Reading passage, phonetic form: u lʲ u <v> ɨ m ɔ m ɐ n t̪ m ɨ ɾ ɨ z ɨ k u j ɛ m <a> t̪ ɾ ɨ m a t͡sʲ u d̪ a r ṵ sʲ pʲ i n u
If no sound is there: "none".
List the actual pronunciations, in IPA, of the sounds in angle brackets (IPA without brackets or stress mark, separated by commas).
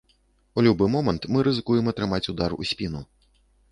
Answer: b, ɐ